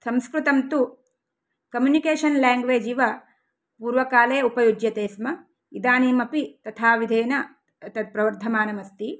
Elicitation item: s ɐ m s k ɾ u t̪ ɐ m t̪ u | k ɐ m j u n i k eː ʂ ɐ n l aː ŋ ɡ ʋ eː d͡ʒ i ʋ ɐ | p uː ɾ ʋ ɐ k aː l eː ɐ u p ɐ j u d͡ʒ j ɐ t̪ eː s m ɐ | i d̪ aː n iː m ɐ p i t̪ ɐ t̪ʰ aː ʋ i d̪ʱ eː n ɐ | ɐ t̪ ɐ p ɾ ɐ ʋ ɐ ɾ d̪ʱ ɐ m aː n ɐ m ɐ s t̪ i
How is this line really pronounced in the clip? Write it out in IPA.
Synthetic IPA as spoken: s ɐ m s k ɾ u t̪ ɐ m t̪ u | k ɐ m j u n i k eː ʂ ɐ n l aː ŋ ɡ ʋ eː d͡ʒ i ʋ ɐ | p uː ɾ ʋ ɐ k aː l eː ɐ u p ɐ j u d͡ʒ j ɐ t̪ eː s m ɐ | i d̪ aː n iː m ɐ p i t̪ ɐ t̪ʰ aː ʋ i d̪ʱ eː n ɐ | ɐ t̪ ɐ p ɾ ɐ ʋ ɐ ɾ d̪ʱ ɐ m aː n ɐ m ɐ s t̪ i